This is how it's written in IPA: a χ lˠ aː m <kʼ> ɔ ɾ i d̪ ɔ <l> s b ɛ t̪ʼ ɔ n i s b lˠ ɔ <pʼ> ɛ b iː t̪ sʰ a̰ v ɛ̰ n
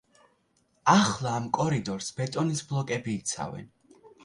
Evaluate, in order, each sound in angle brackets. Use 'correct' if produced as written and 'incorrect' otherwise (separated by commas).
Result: correct, incorrect, incorrect